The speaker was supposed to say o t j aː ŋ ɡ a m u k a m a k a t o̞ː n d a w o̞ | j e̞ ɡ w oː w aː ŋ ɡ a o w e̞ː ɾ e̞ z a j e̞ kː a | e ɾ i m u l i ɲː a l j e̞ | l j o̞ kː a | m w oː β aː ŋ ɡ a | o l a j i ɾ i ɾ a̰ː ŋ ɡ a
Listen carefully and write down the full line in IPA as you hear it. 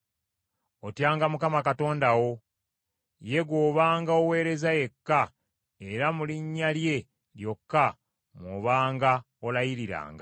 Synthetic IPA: o t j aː ŋ ɡ a m u k a m a k a t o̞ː n d a w o̞ | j e̞ ɡ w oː β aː ŋ ɡ a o w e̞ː ɾ e̞ z a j e̞ kː a | e ɾ a m u l i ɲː a l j e̞ | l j o̞ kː a | m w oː β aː ŋ ɡ a | o l a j i ɾ i ɾ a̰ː ŋ ɡ a